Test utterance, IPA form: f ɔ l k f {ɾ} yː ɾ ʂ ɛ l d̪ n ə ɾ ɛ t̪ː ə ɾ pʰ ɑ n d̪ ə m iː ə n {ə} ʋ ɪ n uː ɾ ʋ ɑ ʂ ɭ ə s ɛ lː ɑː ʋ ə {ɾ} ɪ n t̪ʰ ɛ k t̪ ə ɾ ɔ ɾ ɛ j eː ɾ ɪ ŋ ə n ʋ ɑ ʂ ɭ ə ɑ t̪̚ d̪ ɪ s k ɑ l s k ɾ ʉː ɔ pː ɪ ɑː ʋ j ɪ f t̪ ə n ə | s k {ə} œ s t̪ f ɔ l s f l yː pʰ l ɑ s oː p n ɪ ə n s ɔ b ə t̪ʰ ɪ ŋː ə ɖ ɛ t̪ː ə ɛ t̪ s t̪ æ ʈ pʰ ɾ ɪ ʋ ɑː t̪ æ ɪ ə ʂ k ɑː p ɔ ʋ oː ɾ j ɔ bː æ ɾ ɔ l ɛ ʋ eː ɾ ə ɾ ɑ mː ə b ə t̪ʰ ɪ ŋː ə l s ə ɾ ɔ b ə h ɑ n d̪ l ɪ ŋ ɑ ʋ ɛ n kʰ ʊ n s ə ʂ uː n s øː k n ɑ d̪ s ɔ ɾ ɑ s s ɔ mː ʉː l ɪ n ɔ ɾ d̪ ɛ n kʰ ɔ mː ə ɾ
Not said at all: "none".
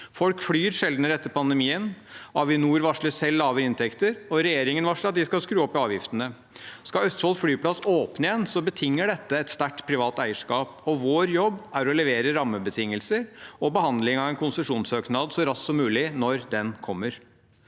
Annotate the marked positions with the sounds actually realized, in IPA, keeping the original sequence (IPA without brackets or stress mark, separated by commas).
l, ɑ, ɾ, ɑ